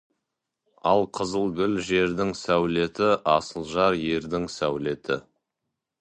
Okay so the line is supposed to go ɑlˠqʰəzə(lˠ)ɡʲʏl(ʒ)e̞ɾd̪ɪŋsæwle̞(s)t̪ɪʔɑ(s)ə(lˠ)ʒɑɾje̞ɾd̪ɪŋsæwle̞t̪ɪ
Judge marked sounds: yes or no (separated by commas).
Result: yes, yes, no, yes, yes